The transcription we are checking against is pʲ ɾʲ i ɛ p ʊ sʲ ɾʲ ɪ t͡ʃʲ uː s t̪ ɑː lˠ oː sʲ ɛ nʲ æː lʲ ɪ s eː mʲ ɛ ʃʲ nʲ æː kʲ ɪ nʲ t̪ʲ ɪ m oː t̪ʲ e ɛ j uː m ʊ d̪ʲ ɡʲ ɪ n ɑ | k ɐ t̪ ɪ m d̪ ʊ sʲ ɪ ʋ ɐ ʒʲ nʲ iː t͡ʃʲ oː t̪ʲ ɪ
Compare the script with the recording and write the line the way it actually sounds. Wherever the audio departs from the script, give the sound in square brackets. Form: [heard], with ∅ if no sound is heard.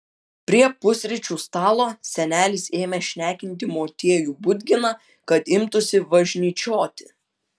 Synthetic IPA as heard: pʲ ɾʲ i ɛ p ʊ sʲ ɾʲ ɪ t͡ʃʲ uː s t̪ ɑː lˠ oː sʲ ɛ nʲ æː lʲ ɪ s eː mʲ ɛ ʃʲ nʲ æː kʲ ɪ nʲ t̪ʲ ɪ m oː t̪ʲ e ɛ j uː [b] ʊ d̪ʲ ɡʲ ɪ n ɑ | k ɐ t̪ ɪ m [t̪] ʊ sʲ ɪ ʋ ɐ ʒʲ nʲ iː t͡ʃʲ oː t̪ʲ ɪ